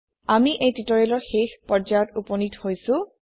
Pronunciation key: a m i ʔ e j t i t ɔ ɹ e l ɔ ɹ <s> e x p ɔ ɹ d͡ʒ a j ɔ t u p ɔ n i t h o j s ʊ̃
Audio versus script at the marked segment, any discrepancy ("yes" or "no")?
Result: yes